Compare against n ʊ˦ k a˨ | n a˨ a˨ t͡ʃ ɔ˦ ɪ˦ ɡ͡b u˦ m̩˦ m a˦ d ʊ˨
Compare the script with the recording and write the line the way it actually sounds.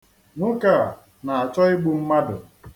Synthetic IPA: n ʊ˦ k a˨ | n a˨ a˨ t͡ʃ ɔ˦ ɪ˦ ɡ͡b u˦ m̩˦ m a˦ d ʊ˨